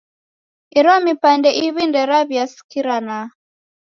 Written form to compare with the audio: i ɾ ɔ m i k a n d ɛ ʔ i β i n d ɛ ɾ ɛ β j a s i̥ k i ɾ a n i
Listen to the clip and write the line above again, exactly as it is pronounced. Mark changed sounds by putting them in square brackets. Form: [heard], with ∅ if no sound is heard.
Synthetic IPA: i ɾ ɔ m i [p] a n d ɛ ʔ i β i n d ɛ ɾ [a] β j a s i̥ k i ɾ a n [a]